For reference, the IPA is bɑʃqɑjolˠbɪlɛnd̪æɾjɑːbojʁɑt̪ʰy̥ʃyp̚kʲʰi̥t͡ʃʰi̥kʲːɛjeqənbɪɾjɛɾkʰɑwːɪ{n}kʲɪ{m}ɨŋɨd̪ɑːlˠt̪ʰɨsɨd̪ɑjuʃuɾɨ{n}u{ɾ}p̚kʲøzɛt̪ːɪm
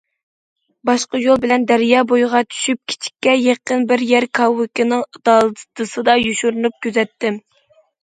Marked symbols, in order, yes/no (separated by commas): no, no, yes, no